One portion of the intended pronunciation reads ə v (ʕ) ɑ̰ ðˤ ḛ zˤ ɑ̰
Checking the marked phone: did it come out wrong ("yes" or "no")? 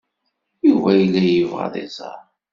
yes